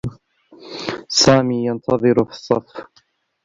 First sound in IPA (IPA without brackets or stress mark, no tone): s